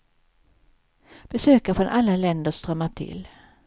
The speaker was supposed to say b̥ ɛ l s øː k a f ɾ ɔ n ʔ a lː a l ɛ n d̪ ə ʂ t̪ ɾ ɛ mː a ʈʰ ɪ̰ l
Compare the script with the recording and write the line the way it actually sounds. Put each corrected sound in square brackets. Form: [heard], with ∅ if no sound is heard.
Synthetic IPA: b̥ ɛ [∅] s øː k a f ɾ ɔ n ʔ a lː a l ɛ n d̪ ə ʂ t̪ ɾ [œ] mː a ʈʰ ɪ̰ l